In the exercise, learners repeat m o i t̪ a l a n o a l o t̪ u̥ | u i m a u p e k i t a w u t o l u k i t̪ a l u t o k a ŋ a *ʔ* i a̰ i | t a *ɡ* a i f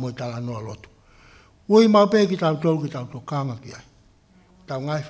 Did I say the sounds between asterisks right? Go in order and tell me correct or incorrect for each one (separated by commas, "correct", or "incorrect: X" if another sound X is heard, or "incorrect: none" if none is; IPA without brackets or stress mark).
incorrect: k, incorrect: ŋ